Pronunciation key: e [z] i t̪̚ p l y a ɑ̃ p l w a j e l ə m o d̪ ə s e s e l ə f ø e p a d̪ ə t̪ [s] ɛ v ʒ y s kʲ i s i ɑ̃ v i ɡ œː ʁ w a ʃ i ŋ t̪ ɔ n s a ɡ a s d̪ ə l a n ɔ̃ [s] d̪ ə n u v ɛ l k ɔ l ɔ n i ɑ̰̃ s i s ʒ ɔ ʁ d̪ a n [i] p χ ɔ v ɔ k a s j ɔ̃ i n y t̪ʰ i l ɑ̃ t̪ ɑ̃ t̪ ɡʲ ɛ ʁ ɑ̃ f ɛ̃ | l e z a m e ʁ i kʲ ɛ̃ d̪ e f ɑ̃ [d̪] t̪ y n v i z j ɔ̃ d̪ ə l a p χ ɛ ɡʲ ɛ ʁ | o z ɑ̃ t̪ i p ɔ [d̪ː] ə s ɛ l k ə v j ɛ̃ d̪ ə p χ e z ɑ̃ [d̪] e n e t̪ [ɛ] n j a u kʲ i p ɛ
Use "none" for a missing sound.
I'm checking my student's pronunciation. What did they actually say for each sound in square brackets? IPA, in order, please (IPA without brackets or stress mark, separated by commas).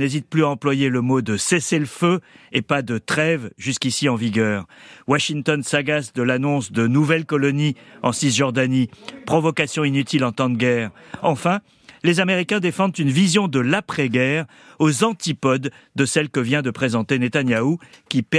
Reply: z, χ, s, i, d̪, d̪ː, t̪, a